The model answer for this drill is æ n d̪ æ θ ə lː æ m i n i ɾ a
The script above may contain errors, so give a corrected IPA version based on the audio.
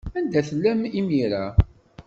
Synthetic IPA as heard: æ n d̪ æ θ ə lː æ m i m i ɾ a